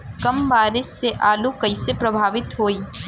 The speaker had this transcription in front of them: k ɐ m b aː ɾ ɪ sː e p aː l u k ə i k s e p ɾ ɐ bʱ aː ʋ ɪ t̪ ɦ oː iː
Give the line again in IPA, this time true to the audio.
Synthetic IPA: k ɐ m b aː ɾ ɪ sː e ʔ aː l u k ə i s e p ɾ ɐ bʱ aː ʋ ɪ t̪ ɦ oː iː